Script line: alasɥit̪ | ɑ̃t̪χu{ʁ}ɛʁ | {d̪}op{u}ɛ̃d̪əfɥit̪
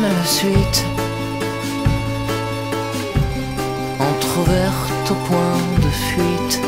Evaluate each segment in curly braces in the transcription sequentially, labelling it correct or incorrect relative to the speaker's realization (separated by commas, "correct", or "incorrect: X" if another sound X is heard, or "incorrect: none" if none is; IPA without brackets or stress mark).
incorrect: v, incorrect: t̪, incorrect: w